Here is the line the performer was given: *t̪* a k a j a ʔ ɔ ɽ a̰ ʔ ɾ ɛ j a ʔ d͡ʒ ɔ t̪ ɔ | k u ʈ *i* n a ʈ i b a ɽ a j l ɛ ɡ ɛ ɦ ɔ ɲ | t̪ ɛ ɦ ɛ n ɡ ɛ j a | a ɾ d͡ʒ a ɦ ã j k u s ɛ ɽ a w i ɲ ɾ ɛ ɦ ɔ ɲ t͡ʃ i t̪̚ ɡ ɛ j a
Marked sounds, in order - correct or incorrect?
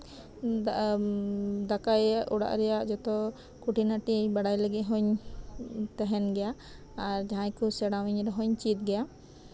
incorrect: d̪, correct

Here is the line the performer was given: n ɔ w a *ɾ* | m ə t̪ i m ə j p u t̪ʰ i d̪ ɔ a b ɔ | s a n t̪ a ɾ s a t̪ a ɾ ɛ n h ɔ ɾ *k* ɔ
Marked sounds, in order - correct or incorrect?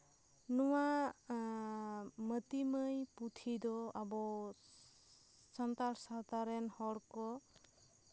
incorrect: none, correct

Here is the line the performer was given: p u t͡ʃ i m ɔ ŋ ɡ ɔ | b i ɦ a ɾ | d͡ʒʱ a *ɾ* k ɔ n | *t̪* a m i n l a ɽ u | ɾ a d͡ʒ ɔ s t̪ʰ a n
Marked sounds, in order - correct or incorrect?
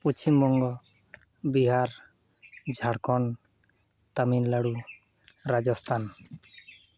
incorrect: ɽ, correct

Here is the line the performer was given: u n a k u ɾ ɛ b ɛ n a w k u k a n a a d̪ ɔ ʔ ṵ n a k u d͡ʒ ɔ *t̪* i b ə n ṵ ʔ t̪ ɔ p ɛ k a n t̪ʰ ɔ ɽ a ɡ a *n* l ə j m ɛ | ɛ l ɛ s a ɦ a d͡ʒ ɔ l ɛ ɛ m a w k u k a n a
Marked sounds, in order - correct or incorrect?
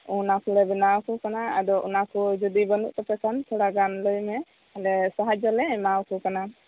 incorrect: d̪, correct

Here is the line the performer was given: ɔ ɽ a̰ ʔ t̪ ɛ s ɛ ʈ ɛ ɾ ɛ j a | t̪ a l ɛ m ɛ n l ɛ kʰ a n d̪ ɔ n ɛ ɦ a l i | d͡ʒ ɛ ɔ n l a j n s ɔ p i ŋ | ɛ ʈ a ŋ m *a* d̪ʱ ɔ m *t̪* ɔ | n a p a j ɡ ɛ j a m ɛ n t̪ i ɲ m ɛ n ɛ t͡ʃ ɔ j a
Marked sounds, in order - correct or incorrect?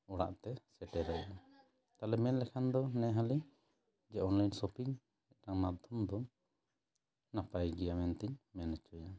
correct, incorrect: d̪

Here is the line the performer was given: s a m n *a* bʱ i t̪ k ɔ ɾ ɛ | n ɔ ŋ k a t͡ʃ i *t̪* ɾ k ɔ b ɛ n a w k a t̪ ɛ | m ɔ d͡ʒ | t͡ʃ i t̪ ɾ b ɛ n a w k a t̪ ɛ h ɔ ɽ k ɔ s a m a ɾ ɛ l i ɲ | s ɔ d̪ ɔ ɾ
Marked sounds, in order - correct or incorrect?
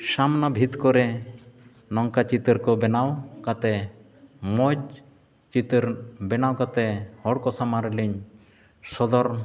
correct, correct

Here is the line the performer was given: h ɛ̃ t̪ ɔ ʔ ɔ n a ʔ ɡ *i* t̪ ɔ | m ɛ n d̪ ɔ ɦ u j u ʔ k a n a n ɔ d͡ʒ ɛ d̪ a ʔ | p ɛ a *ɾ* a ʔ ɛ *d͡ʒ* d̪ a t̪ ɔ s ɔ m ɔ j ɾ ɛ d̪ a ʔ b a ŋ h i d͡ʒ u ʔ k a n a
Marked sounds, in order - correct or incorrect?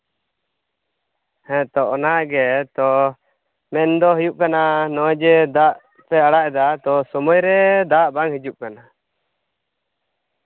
incorrect: ɛ, incorrect: ɽ, incorrect: none

